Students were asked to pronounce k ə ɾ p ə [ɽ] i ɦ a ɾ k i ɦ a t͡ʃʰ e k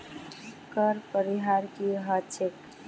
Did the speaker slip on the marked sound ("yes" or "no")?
yes